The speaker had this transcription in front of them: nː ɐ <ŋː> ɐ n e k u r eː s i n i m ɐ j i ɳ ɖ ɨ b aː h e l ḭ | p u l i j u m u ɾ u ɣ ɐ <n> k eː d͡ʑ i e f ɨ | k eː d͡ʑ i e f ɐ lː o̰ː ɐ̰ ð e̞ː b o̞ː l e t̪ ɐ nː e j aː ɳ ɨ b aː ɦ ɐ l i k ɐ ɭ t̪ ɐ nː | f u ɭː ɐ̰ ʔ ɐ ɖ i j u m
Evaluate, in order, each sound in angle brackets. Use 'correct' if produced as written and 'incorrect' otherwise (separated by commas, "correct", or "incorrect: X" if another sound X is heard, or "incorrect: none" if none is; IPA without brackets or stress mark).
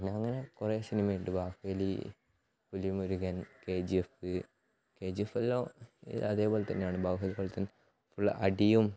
correct, correct